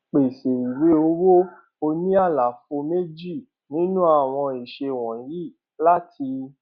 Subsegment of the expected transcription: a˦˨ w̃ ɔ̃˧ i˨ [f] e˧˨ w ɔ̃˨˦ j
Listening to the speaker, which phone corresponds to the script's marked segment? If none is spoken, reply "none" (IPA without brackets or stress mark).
ʃ